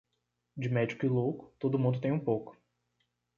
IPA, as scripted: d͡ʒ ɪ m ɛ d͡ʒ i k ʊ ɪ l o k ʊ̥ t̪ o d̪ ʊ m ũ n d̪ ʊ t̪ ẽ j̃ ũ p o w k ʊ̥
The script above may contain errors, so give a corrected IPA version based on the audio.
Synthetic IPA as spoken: d͡ʒ ɪ m ɛ d͡ʒ i k ʊ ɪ l o k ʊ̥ t̪ o d̪ ʊ m ũ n d̪ ʊ t̪ ẽ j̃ ũ p o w k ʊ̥